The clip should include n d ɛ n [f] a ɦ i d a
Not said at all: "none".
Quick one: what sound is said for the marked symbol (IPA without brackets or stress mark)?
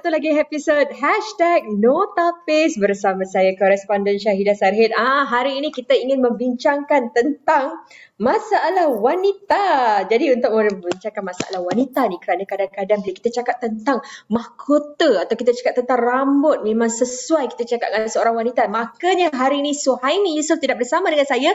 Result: ʃ